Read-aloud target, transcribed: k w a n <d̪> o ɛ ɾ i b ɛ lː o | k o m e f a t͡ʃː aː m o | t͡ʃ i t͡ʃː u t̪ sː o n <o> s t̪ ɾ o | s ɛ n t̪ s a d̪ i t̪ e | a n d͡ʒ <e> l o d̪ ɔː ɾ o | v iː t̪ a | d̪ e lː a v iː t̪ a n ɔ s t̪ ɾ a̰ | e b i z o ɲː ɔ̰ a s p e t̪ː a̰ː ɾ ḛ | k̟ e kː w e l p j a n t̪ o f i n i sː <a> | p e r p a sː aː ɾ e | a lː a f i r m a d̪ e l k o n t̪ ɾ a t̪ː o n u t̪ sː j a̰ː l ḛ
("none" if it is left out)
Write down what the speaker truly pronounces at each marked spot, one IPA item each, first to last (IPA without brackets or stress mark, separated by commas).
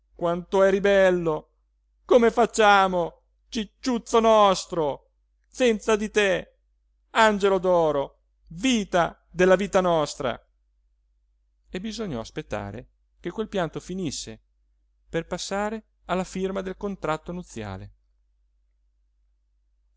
t̪, ɔ, e, e